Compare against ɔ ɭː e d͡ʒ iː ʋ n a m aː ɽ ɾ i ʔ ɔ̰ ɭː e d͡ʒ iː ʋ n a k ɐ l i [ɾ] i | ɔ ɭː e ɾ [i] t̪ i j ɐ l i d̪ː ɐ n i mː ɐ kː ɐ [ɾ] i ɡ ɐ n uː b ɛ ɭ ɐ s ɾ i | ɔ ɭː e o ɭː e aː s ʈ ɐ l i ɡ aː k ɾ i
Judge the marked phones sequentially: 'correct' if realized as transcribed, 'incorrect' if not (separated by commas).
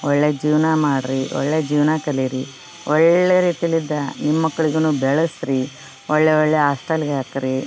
correct, incorrect, incorrect